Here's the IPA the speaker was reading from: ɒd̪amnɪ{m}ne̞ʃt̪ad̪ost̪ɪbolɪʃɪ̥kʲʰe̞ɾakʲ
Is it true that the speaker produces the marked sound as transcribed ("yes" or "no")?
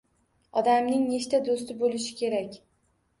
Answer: no